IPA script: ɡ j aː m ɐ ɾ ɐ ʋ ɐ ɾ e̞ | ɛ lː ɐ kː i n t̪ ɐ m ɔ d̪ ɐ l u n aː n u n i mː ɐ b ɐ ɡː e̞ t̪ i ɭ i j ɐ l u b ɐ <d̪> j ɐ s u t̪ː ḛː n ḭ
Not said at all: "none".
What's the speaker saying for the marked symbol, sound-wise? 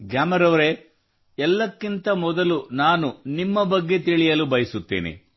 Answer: none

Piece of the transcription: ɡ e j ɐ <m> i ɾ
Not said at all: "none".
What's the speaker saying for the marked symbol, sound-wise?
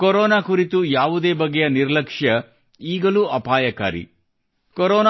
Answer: n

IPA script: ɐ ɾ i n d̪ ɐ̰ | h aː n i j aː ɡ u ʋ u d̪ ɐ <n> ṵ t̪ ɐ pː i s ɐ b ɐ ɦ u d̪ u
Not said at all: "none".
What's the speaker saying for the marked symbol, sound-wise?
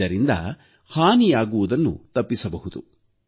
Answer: nː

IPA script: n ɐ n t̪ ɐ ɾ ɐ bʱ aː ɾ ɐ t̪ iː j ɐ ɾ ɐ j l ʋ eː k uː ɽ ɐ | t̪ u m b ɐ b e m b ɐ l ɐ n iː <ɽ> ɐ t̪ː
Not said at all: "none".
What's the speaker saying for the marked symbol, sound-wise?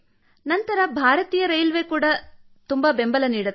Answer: ɽ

